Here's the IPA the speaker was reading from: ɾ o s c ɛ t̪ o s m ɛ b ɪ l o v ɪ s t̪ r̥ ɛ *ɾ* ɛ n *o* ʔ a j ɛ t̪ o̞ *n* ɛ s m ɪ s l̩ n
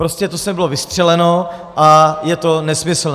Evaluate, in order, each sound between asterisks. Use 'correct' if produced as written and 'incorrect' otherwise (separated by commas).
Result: incorrect, correct, correct